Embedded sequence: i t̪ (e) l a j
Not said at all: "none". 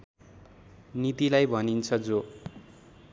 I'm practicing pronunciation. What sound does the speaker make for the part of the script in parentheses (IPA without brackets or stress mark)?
i